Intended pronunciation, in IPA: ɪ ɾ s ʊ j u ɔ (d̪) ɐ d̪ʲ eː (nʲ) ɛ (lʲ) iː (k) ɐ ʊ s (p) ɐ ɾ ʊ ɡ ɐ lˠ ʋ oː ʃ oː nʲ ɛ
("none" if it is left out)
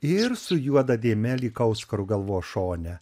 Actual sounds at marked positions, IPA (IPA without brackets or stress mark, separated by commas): d̪, mʲ, lʲ, k, k